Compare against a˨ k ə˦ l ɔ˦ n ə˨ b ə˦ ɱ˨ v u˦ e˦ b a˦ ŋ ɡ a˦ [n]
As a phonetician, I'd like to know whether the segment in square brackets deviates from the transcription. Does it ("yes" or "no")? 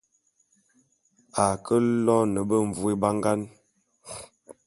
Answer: no